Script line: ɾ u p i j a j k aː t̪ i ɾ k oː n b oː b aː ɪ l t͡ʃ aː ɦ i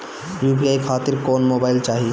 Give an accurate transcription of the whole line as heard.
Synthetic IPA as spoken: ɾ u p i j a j kʰ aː t̪ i ɾ k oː n m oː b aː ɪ l t͡ʃ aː ɦ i